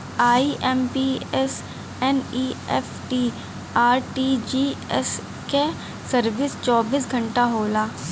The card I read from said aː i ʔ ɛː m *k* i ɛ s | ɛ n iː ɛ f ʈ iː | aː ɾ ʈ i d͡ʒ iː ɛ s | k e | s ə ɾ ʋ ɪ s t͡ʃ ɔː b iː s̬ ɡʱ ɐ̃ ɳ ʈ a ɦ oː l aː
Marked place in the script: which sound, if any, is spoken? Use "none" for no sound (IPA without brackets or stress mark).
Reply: p